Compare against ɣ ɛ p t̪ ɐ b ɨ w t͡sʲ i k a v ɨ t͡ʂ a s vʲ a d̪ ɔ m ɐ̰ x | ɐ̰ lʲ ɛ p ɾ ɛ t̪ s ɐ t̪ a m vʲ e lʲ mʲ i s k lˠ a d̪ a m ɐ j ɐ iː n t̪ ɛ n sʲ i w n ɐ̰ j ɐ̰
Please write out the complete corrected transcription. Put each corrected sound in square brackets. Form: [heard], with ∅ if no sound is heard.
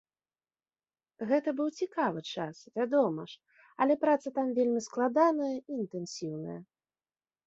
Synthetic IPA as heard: ɣ ɛ [∅] t̪ ɐ b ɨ w t͡sʲ i k a v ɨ t͡ʂ a s vʲ a d̪ ɔ m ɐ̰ [ʂ] | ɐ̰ lʲ ɛ p ɾ [a] t̪ s ɐ t̪ a m vʲ e lʲ mʲ i s k lˠ a d̪ a [n] ɐ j ɐ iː n t̪ ɛ n sʲ i w n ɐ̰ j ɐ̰